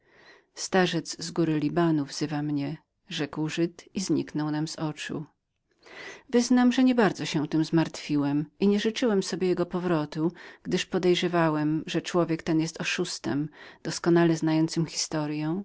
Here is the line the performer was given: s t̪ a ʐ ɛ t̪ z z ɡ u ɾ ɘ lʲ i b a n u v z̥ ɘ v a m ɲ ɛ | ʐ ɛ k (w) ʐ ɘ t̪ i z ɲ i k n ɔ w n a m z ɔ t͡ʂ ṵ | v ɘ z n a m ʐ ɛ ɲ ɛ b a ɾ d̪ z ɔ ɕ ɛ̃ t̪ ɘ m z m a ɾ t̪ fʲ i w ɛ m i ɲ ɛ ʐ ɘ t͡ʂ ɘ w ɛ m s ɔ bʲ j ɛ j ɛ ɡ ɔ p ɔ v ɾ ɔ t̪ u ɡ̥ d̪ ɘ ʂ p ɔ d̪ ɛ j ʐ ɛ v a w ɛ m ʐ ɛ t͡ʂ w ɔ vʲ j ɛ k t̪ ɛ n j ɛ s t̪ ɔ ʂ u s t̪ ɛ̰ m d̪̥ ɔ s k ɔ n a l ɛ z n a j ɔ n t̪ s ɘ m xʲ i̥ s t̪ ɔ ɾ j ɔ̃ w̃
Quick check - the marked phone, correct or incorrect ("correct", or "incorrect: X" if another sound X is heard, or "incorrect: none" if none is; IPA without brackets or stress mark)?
correct